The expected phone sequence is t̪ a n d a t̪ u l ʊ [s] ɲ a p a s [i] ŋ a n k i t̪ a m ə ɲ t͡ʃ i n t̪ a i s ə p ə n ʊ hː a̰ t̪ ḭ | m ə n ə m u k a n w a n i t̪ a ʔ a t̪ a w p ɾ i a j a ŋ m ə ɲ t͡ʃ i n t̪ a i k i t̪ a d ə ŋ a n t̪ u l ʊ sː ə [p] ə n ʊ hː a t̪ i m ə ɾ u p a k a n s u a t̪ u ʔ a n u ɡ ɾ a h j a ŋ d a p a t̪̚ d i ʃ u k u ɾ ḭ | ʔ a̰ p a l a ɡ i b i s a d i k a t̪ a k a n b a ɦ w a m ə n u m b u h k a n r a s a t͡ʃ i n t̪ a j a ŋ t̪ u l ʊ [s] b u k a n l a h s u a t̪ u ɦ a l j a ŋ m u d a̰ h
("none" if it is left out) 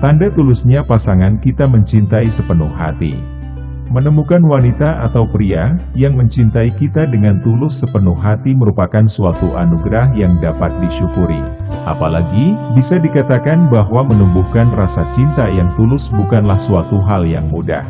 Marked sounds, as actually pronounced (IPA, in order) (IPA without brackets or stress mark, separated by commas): s, a, p, s